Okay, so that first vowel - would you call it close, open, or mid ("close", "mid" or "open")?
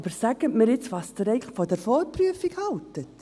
mid